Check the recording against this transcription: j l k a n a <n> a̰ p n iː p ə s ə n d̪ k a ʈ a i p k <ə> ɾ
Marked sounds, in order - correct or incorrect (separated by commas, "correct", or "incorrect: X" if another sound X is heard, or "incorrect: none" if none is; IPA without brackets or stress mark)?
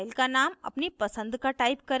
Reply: incorrect: m, correct